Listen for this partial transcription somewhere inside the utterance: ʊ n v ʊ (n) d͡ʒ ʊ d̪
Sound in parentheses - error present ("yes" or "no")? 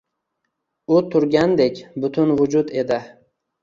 yes